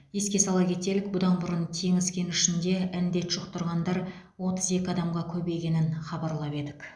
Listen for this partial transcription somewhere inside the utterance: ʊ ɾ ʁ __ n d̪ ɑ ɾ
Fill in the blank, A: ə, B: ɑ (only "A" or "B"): B